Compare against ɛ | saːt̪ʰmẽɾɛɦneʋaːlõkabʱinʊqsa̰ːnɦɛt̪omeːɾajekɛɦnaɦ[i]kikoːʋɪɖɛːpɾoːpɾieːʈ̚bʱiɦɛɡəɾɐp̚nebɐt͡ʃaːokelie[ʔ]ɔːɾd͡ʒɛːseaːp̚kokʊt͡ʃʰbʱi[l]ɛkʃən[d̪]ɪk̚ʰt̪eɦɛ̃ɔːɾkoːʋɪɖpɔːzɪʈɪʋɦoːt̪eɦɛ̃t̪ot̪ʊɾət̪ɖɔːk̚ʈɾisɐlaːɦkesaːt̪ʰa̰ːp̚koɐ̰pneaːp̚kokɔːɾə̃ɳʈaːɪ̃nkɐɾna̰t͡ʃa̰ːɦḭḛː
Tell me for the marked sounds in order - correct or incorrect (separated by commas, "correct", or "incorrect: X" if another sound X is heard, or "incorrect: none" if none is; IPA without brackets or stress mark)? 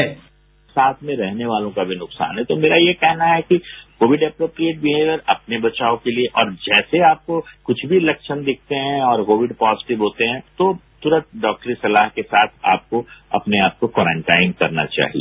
incorrect: ɛ, correct, correct, correct